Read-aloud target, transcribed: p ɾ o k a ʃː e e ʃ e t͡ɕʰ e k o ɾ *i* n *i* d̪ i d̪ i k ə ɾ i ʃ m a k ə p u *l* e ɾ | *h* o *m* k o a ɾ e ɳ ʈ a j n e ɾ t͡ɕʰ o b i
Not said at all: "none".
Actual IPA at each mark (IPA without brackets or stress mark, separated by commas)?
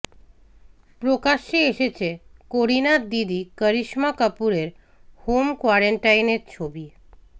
i, a, ɾ, h, m